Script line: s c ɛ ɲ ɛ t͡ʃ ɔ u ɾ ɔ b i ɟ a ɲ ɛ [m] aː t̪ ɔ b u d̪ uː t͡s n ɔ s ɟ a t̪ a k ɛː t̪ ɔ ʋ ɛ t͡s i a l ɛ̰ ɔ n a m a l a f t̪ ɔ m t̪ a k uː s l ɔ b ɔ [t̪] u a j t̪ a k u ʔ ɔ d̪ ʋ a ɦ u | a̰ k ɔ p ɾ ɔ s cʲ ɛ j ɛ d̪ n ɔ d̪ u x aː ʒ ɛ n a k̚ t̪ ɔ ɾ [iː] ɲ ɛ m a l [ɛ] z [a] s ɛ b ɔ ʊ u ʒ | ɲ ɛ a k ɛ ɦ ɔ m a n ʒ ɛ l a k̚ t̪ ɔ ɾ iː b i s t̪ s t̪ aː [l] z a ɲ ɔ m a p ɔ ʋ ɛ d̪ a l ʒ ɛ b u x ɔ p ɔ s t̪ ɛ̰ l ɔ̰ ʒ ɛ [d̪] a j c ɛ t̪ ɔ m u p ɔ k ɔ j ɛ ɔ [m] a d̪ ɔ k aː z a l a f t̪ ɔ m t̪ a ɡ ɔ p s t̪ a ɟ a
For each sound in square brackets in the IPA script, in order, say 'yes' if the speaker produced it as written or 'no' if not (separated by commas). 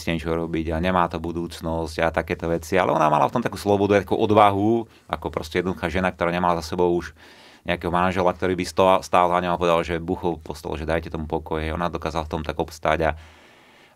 yes, no, no, no, yes, yes, yes, no